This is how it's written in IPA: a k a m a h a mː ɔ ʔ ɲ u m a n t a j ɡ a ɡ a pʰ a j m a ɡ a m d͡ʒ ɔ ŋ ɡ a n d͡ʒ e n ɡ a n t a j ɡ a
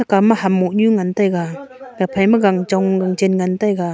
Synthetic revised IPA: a k a m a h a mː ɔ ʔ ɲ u ŋ a n t a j ɡ a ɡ a pʰ a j m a ɡ a ŋ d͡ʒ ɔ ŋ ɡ a ŋ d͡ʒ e n ŋ a n t a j ɡ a